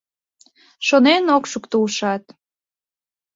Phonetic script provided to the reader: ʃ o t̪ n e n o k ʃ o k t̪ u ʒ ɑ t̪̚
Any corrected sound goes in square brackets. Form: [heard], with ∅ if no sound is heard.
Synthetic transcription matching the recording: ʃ o [∅] n e n o k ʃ [u] k t̪ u [ʃ] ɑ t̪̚